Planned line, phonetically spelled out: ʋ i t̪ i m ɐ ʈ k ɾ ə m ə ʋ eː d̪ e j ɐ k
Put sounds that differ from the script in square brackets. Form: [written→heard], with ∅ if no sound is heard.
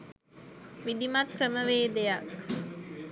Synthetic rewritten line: ʋ i [t̪→d̪] i m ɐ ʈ k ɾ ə m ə ʋ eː d̪ e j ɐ k